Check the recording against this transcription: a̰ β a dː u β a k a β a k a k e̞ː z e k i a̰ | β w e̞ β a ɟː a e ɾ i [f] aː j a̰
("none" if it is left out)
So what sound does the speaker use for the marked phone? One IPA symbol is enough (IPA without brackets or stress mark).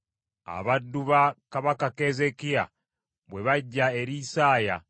s